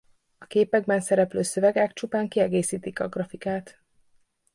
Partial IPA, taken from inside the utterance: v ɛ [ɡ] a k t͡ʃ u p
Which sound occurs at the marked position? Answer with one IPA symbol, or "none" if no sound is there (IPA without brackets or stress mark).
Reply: ɡ